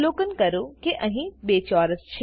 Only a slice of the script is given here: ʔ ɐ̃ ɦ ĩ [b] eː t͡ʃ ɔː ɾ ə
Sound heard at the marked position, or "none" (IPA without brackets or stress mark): b